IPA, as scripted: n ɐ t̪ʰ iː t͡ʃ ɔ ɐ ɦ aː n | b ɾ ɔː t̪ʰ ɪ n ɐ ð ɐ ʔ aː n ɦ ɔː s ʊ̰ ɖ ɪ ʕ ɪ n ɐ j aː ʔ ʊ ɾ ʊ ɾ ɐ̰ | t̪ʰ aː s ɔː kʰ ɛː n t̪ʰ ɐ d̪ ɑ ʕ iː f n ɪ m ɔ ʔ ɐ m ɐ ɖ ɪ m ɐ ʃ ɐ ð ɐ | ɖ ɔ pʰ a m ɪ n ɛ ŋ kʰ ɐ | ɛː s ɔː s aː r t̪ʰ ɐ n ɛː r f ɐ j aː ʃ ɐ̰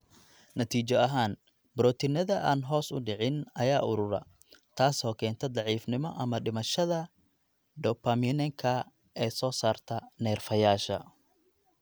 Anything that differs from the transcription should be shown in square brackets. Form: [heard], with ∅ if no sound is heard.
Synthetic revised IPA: n ɐ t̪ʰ iː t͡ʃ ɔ ɐ ɦ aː n | b ɾ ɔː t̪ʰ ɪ n ɐ ð ɐ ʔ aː n ɦ ɔː s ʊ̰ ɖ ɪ ʕ ɪ n ɐ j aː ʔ ʊ ɾ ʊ ɾ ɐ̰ | t̪ʰ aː s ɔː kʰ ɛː n t̪ʰ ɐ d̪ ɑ ʕ iː f n ɪ m ɔ ʔ ɐ m ɐ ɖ ɪ m ɐ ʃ ɐ ð ɐ | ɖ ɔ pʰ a m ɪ n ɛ ŋ kʰ ɐ | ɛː s ɔː s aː r t̪ʰ ɐ n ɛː r f ɐ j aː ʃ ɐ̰